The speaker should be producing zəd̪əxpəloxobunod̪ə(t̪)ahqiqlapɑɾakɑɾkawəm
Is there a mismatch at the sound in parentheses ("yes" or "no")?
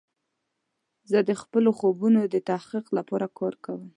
no